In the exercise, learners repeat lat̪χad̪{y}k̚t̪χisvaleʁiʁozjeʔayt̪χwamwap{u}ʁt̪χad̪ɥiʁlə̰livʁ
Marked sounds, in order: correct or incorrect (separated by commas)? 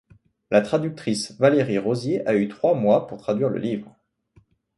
correct, correct